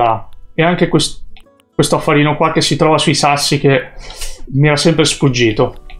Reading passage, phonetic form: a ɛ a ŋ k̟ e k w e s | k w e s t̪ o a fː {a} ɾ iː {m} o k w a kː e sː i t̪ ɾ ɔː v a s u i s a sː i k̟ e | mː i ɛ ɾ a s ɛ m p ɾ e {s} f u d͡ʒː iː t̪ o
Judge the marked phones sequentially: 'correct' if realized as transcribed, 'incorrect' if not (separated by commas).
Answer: correct, incorrect, correct